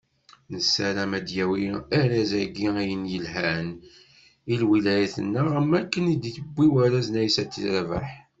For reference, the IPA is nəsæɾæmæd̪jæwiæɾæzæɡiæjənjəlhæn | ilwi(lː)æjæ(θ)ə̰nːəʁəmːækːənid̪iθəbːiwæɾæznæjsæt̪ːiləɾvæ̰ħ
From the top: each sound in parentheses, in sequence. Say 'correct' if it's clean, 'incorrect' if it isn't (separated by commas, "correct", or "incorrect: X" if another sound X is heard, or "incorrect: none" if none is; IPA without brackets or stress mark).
incorrect: l, correct